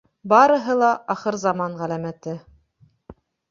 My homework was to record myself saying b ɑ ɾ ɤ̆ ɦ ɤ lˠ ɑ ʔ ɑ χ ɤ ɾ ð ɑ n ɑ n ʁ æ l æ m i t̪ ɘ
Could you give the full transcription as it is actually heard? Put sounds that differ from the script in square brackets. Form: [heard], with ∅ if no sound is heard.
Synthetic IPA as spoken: b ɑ ɾ ɤ̆ ɦ ɤ lˠ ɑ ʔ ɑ χ ɤ ɾ [z] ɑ [m] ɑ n ʁ æ l æ m [æ] t̪ ɘ